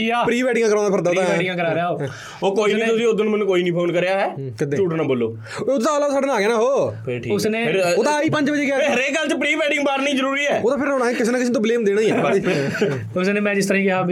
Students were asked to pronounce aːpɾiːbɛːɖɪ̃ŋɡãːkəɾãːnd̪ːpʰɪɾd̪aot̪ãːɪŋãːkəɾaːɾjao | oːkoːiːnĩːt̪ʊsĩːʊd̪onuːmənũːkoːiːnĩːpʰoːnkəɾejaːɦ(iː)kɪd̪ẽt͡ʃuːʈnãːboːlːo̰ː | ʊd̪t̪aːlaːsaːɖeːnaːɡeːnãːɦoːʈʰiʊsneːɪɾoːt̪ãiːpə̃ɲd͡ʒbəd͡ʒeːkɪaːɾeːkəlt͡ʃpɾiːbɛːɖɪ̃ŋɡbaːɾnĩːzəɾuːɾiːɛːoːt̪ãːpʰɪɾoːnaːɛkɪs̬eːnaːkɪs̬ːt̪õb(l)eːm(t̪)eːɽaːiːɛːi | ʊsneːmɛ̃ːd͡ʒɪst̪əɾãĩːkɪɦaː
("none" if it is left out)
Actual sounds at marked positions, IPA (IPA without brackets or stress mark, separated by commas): ɛː, l, d̪